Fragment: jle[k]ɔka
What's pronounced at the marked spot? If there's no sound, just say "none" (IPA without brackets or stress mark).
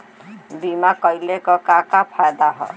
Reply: k